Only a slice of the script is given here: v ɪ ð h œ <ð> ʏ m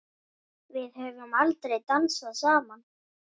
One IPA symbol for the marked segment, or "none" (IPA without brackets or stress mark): v